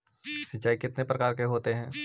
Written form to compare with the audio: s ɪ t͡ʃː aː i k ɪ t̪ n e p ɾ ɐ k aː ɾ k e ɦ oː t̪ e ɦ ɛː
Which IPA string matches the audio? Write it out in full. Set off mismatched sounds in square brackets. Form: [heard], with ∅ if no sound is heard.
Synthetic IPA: s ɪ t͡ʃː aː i k ɪ t̪ n e p ɾ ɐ k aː ɾ k e ɦ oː t̪ e ɦ [ɛ̃ː]

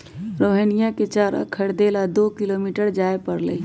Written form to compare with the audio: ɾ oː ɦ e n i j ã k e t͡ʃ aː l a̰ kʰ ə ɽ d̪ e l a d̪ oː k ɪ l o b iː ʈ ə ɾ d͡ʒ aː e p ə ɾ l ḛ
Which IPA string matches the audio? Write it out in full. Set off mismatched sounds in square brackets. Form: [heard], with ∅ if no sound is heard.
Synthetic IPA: ɾ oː ɦ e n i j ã k e t͡ʃ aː [ɾ] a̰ kʰ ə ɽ d̪ e l a d̪ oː k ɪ l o [m] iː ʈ ə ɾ d͡ʒ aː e p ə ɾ l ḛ

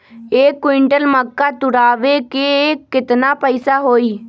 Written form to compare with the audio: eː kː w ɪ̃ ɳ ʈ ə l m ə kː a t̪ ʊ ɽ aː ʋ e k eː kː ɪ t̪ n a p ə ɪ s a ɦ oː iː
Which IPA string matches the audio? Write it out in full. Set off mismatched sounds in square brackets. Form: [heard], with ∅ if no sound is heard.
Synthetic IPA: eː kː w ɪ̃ ɳ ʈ ə l m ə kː a t̪ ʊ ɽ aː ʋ e k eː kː ɪ t̪ n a p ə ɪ s a ɦ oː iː

